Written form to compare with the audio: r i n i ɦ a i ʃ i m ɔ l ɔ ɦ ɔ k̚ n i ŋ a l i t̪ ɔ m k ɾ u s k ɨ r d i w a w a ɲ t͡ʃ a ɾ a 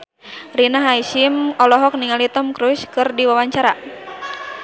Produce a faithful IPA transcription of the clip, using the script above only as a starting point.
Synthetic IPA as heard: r i n a ɦ a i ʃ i m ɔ l ɔ ɦ ɔ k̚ n i ŋ a l i t̪ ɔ m k ɾ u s k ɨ r d i w a w a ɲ t͡ʃ a ɾ a